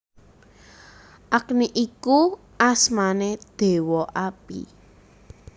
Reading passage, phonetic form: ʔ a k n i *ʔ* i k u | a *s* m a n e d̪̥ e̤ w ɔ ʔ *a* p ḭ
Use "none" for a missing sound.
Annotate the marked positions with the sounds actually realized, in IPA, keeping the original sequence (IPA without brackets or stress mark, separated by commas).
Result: ʔ, s, a